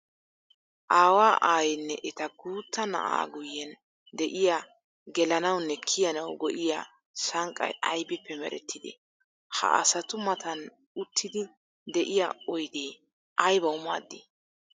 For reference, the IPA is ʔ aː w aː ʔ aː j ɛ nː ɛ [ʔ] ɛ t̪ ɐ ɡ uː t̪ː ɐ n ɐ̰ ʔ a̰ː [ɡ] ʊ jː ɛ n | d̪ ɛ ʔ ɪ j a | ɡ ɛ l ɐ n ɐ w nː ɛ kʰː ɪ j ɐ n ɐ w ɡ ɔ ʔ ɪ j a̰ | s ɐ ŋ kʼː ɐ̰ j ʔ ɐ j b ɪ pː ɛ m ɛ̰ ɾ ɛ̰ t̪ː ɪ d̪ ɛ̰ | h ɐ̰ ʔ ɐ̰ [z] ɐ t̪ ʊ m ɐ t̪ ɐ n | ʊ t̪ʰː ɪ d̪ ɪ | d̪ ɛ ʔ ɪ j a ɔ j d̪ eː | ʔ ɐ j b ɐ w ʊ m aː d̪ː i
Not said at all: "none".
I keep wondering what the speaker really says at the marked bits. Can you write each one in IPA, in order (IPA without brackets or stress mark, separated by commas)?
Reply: ʔ, ɡ, s